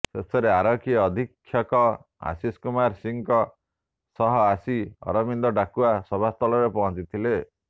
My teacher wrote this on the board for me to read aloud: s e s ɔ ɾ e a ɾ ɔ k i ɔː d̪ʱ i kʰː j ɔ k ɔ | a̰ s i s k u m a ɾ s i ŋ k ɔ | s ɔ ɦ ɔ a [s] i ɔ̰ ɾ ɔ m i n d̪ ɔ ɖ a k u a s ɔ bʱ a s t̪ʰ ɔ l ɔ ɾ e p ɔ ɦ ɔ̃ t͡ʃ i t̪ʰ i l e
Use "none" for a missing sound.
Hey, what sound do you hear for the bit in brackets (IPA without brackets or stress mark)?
s